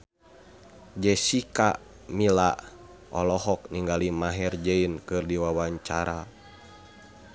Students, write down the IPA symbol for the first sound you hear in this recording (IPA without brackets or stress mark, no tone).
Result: d͡ʒ